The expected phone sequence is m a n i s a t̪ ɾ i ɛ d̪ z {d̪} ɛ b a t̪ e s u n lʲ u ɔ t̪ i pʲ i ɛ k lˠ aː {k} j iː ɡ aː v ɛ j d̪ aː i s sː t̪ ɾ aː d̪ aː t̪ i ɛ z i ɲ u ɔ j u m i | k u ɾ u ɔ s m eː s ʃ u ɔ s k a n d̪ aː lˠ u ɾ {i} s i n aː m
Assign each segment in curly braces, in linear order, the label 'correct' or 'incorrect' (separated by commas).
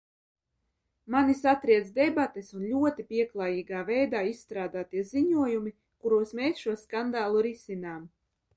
correct, incorrect, correct